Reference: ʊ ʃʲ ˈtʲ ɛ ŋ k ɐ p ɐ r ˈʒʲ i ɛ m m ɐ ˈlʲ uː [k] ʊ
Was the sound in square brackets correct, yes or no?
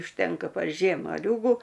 no